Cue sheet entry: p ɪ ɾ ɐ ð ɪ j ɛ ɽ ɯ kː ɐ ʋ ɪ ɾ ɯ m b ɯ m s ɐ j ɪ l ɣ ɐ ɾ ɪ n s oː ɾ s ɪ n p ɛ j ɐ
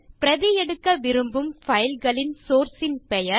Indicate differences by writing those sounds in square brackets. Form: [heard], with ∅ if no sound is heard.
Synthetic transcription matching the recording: p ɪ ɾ ɐ ð ɪ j ɛ ɽ ɯ kː ɐ ʋ ɪ ɾ ɯ m b ɯ m [f] ɐ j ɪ l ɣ ɐ [ɭ] ɪ n s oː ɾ s ɪ n p ɛ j ɐ